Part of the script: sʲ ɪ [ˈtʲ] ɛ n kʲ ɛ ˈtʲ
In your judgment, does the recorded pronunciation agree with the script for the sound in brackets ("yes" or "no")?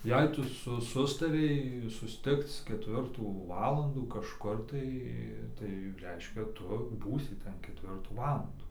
yes